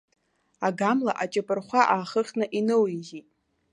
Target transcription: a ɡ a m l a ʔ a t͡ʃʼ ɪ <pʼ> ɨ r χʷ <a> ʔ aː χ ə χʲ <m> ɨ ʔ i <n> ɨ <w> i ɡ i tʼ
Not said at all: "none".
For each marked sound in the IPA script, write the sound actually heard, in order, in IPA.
pʼ, a, n, n, w

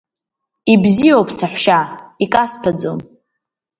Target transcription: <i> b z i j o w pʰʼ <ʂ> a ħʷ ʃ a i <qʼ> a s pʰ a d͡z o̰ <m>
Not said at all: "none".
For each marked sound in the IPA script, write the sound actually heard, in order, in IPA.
i, s, kʼ, m

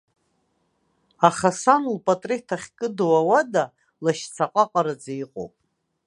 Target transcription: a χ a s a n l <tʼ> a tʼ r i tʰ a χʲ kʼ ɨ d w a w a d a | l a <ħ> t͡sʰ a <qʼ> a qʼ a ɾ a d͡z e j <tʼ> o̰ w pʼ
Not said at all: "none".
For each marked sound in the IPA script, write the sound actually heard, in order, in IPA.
pʼ, ʃ, qʼ, qʼ

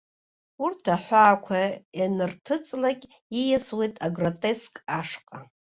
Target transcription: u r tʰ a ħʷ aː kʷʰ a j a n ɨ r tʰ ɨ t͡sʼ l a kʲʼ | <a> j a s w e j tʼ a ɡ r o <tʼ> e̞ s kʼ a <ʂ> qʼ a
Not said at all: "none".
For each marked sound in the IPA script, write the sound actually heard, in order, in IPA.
i, tʼ, ʂ

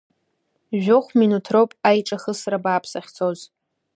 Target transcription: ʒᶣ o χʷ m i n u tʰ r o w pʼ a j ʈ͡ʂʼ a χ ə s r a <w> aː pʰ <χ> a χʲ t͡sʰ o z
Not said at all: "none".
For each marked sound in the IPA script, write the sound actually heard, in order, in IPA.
b, s

